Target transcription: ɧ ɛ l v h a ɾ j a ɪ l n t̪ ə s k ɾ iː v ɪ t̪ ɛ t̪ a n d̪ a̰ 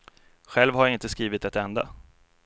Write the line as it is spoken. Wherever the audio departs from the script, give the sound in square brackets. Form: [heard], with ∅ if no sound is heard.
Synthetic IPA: ɧ ɛ l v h a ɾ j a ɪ [∅] n t̪ ə s k ɾ iː v ɪ t̪ ɛ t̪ [ɛ] n d̪ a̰